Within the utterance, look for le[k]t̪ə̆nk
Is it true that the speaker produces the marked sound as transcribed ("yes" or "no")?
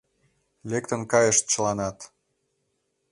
yes